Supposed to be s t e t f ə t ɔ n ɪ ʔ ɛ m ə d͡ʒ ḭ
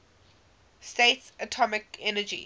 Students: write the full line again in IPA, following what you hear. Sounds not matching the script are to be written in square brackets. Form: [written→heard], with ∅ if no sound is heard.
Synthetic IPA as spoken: s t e t [f→s] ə [t→tʰ] ɔ [n→m] ɪ [ʔ→k] ɛ [m→n] ə d͡ʒ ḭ